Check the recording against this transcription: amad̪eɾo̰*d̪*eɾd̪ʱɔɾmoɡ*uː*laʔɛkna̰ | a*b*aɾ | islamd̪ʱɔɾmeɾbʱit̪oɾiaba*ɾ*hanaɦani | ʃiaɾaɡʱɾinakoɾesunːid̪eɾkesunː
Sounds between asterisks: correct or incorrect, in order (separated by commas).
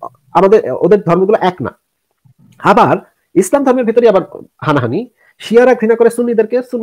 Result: correct, incorrect, correct, correct